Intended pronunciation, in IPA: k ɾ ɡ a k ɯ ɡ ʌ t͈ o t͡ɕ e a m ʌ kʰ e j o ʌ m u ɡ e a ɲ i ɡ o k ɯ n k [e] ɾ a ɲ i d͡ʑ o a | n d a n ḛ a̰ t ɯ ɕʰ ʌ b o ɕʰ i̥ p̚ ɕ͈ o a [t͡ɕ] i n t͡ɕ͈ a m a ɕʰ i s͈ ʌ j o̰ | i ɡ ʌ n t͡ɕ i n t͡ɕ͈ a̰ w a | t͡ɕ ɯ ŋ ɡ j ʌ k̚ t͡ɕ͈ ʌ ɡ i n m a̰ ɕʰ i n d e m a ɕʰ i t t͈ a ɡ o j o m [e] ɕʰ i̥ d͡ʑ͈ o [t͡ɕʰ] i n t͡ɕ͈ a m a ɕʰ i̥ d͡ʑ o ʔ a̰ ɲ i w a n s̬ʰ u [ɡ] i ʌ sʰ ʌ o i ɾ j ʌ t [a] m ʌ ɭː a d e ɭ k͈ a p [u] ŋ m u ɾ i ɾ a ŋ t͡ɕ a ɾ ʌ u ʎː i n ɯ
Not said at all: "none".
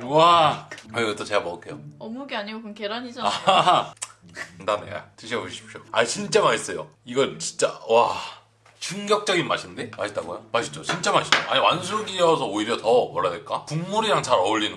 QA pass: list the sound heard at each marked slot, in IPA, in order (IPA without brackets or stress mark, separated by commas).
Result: e, t͡ɕ, a, t͡ɕ, ɡ, ʌ, u